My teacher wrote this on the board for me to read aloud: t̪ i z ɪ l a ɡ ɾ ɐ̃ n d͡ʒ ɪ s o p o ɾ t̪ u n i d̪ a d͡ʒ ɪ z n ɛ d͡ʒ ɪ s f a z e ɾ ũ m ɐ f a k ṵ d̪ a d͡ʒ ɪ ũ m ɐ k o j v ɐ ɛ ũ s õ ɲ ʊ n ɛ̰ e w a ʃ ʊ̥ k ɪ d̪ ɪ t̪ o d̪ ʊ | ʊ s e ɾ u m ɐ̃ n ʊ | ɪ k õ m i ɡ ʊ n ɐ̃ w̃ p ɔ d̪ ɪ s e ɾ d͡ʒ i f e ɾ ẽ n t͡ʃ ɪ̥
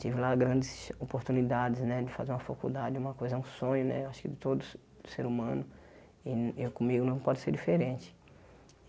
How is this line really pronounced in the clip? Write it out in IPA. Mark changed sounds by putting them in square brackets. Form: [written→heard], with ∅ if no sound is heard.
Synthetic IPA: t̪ i [z→v] ɪ l a ɡ ɾ ɐ̃ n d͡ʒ ɪ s o p o ɾ t̪ u n i d̪ a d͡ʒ ɪ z n ɛ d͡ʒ ɪ [s→∅] f a z e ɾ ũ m ɐ f a k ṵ d̪ a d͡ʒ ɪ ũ m ɐ k o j [v→z] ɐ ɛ ũ s õ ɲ ʊ n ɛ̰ e w a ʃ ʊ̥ k ɪ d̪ ɪ t̪ o d̪ ʊ | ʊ s e ɾ u m ɐ̃ n ʊ | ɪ k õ m i ɡ ʊ n ɐ̃ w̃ p ɔ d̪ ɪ s e ɾ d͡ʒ i f e ɾ ẽ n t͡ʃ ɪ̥